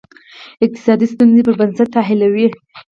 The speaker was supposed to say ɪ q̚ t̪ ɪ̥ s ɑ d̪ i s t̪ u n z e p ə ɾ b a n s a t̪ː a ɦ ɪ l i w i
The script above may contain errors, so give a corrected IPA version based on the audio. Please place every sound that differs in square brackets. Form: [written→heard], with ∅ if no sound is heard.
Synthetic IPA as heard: ɪ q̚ t̪ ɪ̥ s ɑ d̪ i s t̪ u n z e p ə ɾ b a n s a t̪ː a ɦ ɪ l [i→a] w i